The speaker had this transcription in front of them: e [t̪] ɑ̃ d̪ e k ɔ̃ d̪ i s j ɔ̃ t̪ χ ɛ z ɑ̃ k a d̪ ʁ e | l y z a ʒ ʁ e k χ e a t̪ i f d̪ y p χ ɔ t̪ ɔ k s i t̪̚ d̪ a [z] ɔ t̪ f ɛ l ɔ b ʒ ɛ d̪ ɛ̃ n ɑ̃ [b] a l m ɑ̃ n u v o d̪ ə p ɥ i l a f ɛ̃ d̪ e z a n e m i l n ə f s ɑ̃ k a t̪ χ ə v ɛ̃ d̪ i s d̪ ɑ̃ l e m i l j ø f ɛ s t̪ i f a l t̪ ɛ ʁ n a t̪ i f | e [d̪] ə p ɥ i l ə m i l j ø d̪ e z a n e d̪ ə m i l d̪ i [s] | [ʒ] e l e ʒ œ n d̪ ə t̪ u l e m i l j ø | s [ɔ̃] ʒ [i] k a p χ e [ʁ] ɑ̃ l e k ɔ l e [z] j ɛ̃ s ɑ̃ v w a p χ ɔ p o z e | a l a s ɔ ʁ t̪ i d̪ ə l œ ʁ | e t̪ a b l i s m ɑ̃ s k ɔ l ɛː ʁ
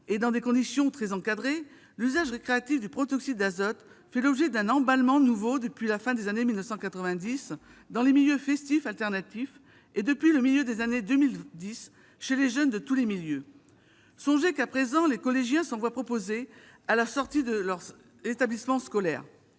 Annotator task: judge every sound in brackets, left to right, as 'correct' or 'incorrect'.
incorrect, correct, correct, correct, correct, incorrect, correct, incorrect, incorrect, incorrect

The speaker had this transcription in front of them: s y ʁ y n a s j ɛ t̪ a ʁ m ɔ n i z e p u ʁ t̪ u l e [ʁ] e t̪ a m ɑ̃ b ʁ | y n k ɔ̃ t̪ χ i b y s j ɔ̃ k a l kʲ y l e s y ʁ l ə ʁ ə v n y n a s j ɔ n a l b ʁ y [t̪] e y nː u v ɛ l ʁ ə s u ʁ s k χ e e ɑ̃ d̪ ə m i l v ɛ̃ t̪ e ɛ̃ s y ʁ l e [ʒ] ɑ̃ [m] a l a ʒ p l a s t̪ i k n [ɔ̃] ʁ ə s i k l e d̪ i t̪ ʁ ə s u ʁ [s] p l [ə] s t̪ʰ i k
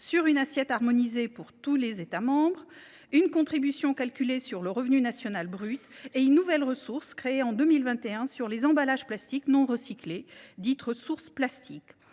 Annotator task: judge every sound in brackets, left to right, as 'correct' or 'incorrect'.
incorrect, correct, incorrect, incorrect, correct, correct, incorrect

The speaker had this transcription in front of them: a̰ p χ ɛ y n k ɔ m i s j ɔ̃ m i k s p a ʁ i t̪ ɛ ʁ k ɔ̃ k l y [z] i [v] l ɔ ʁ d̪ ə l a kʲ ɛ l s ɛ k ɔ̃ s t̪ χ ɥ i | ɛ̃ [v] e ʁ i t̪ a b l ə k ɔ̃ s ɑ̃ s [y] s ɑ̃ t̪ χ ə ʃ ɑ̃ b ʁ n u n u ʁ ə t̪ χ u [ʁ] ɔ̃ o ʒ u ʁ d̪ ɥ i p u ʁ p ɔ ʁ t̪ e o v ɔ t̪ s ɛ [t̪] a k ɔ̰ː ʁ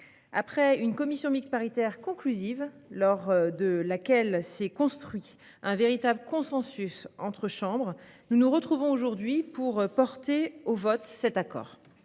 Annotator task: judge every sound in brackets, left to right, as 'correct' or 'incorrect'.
correct, correct, correct, correct, incorrect, correct

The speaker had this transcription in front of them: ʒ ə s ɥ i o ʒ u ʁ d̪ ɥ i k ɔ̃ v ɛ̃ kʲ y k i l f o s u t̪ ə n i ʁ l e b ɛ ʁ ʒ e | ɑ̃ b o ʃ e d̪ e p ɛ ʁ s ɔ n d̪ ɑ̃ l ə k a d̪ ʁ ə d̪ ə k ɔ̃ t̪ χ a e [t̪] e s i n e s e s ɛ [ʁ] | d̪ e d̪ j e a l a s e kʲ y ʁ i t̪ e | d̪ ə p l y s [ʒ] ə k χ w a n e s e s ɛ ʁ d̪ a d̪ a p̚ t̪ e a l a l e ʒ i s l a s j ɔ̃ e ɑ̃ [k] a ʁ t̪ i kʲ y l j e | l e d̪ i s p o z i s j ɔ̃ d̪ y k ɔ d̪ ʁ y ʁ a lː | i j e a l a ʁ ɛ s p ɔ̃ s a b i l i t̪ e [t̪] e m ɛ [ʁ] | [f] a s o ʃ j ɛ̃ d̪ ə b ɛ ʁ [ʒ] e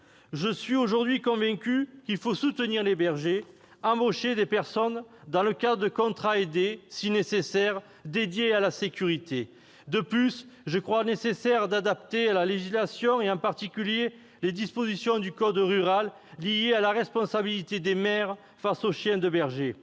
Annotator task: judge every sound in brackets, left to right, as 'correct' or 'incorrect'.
incorrect, correct, correct, incorrect, incorrect, correct, correct, correct

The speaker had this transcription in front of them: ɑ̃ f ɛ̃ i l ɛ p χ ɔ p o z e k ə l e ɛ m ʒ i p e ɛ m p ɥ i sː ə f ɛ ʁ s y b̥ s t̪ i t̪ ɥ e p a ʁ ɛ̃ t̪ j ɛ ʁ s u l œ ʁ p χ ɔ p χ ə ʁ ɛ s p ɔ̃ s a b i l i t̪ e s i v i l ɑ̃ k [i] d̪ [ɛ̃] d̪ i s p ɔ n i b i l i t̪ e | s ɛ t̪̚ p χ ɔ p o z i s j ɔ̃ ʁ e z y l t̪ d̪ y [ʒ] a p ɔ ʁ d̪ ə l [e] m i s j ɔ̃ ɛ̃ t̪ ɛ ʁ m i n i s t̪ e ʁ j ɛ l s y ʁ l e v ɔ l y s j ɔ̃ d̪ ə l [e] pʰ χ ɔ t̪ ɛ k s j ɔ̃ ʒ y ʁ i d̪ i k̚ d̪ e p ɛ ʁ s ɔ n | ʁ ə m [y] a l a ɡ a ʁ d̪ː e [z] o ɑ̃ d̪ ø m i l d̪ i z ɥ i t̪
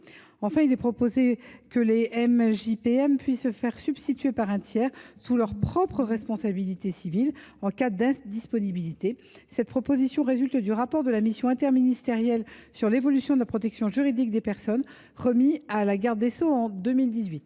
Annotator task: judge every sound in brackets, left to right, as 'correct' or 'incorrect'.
incorrect, correct, incorrect, incorrect, incorrect, incorrect, incorrect

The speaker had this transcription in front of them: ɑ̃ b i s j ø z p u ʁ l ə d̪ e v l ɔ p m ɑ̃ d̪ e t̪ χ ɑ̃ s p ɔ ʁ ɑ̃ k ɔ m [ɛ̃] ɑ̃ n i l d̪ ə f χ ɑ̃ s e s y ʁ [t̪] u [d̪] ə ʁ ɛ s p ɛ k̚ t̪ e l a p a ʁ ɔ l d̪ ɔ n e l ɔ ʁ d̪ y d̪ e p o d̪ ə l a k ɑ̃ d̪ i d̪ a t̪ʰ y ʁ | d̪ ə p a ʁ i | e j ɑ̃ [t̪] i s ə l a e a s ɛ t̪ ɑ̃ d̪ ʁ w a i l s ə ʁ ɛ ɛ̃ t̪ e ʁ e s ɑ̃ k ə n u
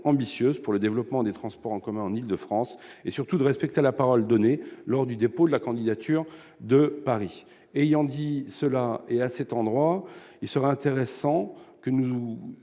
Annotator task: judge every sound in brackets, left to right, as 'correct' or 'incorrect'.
correct, correct, correct, incorrect

